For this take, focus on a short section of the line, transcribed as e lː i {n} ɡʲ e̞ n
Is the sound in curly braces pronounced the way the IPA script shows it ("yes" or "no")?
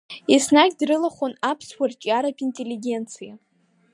no